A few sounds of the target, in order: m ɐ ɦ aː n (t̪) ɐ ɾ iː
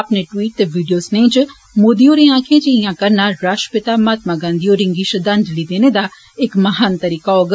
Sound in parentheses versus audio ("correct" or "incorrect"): correct